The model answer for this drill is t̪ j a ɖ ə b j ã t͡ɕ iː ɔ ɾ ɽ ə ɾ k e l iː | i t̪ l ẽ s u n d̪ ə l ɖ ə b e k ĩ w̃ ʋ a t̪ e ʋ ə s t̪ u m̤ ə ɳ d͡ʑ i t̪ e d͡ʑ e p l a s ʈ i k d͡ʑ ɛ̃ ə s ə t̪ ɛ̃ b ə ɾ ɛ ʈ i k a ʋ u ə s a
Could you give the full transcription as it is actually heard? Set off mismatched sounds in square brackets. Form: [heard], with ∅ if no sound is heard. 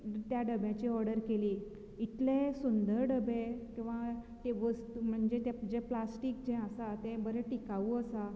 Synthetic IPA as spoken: t̪ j a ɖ ə b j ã t͡ɕ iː ɔ ɾ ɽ ə ɾ k e l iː | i t̪ l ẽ s u n d̪ ə [ɾ] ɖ ə b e k ĩ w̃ ʋ a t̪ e ʋ ə s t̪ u m̤ ə ɳ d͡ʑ [e] t̪ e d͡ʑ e p l a s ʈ i k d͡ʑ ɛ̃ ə s [a] t̪ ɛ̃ b ə ɾ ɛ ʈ i k a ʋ u ə s a